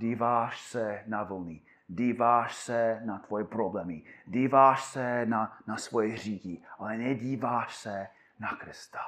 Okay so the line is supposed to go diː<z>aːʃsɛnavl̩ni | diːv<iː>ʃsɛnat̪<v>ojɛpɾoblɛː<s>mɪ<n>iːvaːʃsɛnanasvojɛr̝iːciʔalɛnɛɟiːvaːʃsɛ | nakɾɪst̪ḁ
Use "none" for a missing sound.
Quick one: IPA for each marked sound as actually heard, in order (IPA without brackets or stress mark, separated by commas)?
v, aː, v, none, d